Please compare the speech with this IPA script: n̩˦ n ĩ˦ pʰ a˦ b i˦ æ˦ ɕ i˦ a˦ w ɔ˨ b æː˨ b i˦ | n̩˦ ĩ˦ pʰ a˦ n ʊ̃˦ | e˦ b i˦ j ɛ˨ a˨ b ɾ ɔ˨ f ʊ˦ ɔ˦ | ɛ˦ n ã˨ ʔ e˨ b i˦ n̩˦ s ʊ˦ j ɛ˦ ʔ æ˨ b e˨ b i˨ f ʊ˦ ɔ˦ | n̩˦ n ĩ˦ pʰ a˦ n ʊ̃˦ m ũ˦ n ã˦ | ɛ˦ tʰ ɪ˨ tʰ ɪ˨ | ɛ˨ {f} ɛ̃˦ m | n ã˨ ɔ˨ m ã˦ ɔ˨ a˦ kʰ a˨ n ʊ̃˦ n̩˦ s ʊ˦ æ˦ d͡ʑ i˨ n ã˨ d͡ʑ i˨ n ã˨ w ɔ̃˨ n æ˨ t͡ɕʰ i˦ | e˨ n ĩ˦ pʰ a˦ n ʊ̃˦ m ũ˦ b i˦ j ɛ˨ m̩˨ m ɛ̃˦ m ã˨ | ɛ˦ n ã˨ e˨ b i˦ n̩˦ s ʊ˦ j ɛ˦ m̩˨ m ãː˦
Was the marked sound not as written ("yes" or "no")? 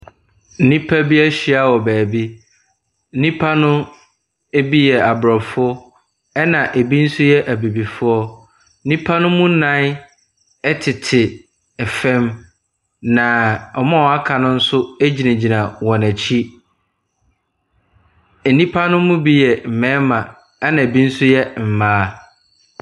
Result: no